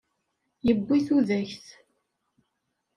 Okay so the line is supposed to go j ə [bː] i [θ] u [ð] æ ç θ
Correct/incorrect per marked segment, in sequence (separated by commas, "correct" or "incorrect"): correct, correct, correct